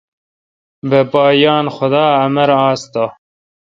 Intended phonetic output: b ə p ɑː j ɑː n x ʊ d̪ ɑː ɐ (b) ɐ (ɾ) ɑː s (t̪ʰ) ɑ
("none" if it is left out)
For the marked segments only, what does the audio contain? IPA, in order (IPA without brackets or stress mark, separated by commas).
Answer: m, ɾ, t̪